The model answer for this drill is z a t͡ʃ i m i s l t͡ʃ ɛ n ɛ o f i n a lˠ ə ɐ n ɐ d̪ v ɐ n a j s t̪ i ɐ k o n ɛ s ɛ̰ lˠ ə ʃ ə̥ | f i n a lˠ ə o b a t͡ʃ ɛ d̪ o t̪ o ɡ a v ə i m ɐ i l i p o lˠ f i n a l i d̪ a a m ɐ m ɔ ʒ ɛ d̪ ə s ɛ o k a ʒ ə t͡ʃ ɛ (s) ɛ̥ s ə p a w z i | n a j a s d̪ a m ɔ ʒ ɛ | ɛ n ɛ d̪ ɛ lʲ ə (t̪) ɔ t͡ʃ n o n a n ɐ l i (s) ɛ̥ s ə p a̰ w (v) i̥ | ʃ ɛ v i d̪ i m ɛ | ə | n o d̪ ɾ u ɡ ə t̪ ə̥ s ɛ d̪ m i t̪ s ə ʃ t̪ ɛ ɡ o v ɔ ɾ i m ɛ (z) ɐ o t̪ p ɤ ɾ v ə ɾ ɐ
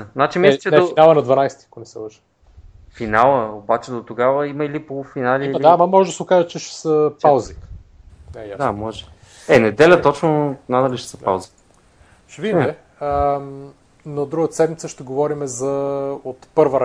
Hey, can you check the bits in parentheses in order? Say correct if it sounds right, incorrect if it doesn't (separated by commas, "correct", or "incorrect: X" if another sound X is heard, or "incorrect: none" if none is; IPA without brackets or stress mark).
incorrect: ʃ, correct, incorrect: ʃ, incorrect: z, correct